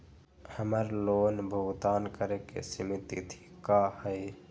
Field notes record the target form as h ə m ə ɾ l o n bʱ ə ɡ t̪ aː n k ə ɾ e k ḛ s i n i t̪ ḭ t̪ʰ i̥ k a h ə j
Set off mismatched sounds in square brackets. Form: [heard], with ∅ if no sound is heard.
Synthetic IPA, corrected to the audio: h ə m ə ɾ l o n bʱ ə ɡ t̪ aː n k ə ɾ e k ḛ s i [m] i t̪ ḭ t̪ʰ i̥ k a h ə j